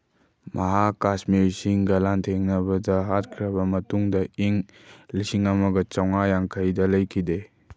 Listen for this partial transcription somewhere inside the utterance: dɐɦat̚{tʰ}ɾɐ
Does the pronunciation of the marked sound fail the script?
yes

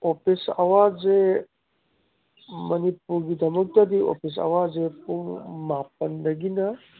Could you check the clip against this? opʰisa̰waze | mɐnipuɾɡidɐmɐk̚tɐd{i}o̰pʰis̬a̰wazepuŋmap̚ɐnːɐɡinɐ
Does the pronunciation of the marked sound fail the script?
no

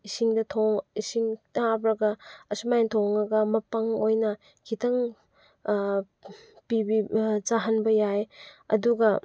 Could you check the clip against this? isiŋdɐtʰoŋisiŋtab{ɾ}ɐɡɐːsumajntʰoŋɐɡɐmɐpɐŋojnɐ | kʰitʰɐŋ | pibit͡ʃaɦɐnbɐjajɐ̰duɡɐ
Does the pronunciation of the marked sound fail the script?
no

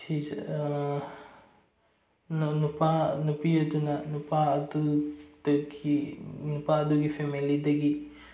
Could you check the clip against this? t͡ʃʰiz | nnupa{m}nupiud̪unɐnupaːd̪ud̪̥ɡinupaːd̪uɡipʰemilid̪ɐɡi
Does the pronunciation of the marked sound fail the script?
yes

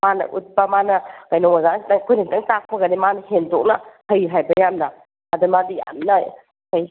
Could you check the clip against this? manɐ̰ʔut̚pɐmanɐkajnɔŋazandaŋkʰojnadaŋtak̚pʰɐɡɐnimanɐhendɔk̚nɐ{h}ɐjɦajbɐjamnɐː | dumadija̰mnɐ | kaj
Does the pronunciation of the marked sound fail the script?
no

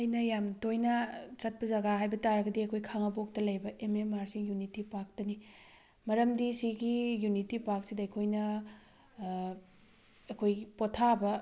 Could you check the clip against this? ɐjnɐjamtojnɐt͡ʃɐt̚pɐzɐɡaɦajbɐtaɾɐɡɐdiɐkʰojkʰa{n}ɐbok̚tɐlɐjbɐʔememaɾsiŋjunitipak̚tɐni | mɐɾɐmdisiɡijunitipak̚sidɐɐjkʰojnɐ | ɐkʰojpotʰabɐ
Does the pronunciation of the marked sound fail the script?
yes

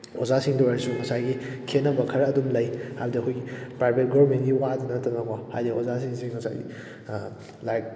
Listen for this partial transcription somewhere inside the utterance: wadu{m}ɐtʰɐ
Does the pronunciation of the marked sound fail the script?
yes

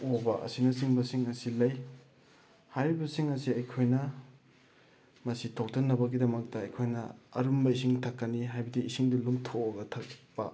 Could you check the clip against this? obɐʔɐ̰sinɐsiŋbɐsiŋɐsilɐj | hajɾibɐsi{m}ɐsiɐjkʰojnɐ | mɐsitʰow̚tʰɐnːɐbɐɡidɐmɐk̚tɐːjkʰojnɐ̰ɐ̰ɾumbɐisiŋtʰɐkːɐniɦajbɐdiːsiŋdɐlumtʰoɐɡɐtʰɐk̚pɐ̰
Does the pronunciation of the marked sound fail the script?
yes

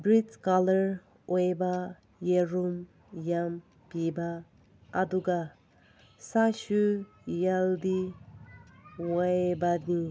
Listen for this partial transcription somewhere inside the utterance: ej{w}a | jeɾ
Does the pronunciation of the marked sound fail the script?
yes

